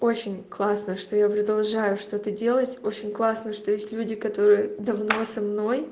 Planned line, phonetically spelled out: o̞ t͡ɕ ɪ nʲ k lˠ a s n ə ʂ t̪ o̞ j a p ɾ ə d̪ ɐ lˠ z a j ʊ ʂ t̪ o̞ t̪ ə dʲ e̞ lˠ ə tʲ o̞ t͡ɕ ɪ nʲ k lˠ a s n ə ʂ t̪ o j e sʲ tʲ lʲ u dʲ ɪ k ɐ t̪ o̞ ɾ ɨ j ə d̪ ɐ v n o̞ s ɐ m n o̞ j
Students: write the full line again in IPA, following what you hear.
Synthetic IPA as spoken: o̞ t͡ɕ ɪ nʲ k lˠ a s n ə ʂ t̪ o̞ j a p ɾ ə d̪ ɐ lˠ ʐ a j ʊ ʂ t̪ o̞ t̪ ə dʲ e̞ lˠ ə tʲ o̞ t͡ɕ ɪ nʲ k lˠ a s n ə ʂ t̪ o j e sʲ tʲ lʲ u dʲ ɪ k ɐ t̪ o̞ ɾ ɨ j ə d̪ ɐ v n o̞ s ɐ m n o̞ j